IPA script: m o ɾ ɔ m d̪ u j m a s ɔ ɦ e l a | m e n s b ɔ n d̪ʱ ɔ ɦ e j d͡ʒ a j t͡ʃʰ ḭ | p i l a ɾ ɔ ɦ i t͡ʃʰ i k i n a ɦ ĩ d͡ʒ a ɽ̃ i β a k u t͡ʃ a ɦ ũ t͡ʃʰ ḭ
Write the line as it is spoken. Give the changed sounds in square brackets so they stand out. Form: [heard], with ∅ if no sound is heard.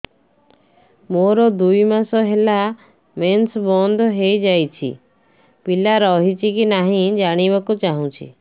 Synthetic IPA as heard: m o ɾ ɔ [∅] d̪ u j m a s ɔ ɦ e l a | m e n s b ɔ n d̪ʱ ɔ ɦ e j d͡ʒ a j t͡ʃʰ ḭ | p i l a ɾ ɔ ɦ i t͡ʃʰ i k i n a ɦ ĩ d͡ʒ a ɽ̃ i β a k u t͡ʃ a ɦ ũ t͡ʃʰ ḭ